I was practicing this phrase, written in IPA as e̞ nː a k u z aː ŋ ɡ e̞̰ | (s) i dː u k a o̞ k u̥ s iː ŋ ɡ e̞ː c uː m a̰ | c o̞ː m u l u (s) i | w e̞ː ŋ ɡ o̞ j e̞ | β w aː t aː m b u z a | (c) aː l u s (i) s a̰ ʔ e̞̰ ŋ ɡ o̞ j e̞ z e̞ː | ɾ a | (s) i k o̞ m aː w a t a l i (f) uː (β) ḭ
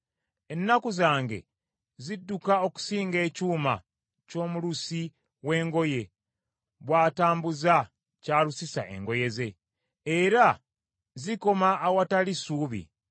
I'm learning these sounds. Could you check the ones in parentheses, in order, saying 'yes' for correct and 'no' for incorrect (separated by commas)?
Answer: no, yes, yes, yes, no, no, yes